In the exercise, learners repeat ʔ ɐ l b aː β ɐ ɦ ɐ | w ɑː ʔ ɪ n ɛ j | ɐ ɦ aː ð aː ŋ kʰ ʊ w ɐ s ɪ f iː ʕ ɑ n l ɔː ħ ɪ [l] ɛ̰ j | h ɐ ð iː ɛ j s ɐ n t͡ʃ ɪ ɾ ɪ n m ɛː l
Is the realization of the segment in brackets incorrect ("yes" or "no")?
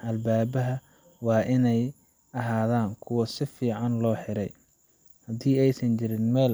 yes